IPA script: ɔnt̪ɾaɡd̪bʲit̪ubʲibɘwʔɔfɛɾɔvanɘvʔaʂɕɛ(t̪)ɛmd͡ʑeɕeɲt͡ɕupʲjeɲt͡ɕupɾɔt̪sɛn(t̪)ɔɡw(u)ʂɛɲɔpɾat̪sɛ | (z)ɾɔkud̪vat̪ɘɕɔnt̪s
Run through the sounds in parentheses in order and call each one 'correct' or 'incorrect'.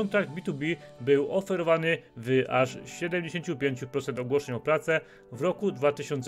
incorrect: d̪, correct, incorrect: ɔ, incorrect: v

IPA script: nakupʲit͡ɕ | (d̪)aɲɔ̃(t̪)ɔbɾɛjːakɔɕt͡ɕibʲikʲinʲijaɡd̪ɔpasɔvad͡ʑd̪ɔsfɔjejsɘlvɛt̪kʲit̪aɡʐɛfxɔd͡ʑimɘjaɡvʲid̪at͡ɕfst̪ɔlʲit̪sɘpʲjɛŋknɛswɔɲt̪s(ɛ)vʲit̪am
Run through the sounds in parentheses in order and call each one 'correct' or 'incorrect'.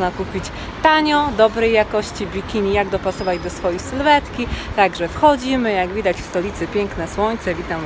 incorrect: t̪, incorrect: d̪, correct

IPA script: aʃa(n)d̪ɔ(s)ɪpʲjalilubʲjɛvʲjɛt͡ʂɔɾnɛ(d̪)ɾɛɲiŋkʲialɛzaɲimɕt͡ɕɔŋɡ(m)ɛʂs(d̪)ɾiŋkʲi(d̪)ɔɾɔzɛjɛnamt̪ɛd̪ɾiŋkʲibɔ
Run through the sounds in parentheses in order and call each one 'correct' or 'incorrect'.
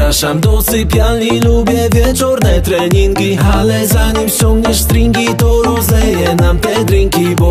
incorrect: m, correct, incorrect: t̪, incorrect: ɲ, incorrect: t̪, incorrect: t̪

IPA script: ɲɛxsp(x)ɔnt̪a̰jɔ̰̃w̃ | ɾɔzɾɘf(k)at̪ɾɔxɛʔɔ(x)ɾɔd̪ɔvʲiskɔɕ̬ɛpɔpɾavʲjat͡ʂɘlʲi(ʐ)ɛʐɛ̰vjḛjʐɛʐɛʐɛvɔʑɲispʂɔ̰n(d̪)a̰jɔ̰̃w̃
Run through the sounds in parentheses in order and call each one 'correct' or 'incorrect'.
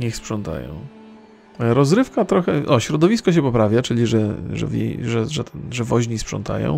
incorrect: ʂ, correct, incorrect: ɕ, correct, incorrect: t̪

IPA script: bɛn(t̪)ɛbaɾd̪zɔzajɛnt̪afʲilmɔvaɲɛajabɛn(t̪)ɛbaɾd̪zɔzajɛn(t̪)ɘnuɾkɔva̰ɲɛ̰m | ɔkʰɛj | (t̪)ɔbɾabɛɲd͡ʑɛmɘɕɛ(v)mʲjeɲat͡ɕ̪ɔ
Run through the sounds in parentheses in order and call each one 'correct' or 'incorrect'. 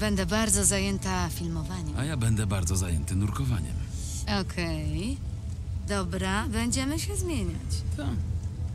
incorrect: d̪, incorrect: d̪, correct, incorrect: d̪, incorrect: z

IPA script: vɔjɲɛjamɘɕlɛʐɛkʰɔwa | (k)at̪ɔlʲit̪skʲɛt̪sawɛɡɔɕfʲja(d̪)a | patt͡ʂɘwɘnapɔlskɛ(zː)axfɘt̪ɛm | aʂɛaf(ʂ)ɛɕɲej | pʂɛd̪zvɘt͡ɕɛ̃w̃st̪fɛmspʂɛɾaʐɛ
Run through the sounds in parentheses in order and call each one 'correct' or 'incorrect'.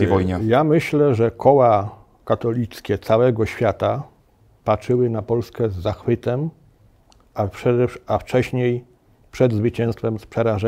correct, incorrect: t̪, correct, incorrect: t͡ʂ

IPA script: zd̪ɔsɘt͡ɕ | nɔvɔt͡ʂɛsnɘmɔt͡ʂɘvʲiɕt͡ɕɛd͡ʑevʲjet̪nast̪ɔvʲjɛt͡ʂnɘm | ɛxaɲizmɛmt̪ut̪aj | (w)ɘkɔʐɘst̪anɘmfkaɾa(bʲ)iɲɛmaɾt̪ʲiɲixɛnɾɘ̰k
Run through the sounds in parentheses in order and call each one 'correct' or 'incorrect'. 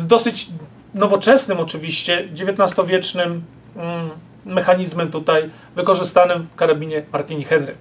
incorrect: v, correct

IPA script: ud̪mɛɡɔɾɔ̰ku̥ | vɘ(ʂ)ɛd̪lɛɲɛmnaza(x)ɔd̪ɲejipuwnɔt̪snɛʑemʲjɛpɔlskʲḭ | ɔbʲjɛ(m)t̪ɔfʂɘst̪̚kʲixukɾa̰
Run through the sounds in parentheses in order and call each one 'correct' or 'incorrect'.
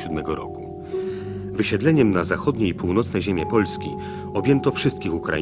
incorrect: ɕ, correct, incorrect: n

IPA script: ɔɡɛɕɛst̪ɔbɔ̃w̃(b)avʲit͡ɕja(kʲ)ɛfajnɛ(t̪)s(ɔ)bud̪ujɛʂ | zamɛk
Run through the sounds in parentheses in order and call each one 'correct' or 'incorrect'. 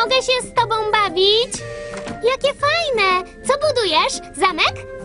correct, correct, correct, correct

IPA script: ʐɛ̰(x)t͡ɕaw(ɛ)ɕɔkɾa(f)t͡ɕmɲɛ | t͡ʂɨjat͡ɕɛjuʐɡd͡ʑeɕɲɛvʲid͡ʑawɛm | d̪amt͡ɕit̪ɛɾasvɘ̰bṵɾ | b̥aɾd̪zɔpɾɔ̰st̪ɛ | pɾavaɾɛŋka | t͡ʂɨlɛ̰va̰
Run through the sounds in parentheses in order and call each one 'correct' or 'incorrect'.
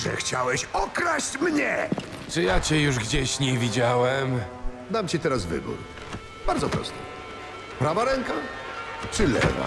correct, correct, incorrect: ɕ

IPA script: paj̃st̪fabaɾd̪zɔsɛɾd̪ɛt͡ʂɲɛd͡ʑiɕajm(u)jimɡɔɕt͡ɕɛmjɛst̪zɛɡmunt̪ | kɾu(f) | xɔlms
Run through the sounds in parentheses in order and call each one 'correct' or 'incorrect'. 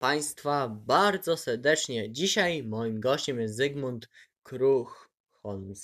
incorrect: ɔ, incorrect: x

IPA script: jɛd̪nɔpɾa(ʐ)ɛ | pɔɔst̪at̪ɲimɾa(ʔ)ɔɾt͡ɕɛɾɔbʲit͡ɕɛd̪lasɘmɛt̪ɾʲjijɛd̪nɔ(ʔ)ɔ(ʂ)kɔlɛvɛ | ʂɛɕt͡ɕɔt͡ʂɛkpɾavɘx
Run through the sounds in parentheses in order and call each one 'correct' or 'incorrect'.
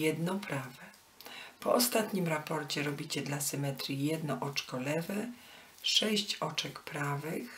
incorrect: v, incorrect: p, correct, incorrect: t͡ʂ

